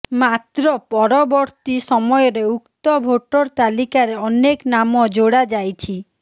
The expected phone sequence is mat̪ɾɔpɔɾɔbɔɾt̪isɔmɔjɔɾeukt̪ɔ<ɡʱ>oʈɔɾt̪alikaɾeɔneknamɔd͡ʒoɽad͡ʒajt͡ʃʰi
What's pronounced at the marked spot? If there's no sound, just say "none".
bʱ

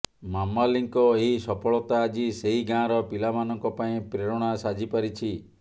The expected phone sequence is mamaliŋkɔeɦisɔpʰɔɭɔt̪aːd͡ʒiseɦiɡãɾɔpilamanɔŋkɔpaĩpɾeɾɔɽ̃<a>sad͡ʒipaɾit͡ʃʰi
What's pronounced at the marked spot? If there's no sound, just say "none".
a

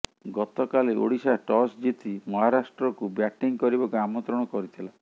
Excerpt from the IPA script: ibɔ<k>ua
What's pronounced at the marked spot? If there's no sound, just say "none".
k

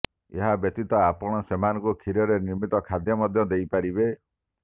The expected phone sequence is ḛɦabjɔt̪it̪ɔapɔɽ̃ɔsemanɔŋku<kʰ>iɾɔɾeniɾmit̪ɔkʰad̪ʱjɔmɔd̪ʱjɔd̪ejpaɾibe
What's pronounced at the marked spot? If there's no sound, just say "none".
kʰ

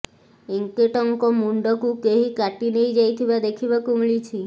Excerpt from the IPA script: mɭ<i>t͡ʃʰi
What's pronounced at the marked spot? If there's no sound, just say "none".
i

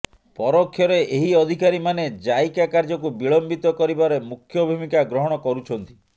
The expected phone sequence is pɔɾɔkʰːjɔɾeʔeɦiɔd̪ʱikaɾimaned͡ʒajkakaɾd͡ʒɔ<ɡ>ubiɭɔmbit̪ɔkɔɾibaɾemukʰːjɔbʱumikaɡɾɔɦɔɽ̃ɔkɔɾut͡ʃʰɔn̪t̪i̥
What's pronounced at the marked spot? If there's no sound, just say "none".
k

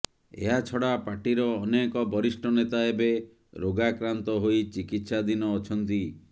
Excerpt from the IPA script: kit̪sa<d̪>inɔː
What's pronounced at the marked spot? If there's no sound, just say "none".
d̪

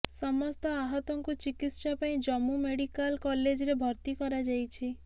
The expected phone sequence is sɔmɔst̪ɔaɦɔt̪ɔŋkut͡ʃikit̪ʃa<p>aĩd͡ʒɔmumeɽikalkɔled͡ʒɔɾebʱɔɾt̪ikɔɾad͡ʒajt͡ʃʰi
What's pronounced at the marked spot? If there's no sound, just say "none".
p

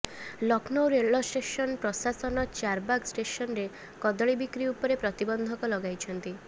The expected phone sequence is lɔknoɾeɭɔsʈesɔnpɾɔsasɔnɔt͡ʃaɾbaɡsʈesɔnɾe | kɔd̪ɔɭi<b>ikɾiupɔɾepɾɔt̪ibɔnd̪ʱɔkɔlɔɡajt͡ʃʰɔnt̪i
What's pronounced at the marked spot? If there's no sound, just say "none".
b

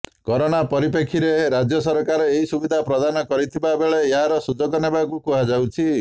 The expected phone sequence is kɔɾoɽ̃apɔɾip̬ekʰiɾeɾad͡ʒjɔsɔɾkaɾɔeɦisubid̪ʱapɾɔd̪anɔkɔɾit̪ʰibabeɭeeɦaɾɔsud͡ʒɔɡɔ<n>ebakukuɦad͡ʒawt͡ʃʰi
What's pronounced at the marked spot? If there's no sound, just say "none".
n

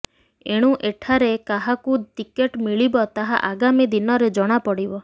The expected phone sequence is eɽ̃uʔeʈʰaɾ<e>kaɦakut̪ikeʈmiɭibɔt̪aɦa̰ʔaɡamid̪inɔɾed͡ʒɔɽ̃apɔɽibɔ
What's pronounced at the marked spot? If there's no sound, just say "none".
e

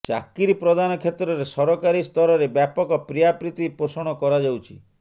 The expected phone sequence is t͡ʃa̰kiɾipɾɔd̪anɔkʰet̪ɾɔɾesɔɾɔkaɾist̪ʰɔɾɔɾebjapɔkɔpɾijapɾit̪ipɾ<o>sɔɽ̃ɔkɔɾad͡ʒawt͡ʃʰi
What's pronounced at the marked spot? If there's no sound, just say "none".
o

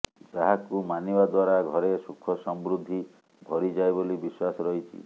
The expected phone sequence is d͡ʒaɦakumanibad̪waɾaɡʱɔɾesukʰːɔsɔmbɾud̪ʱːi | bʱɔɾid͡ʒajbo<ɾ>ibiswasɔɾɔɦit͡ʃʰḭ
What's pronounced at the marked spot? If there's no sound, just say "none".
l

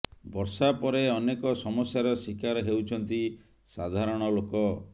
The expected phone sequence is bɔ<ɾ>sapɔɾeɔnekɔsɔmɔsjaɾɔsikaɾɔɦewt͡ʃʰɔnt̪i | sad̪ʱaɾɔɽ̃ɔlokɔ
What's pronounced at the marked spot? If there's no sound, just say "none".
ɾ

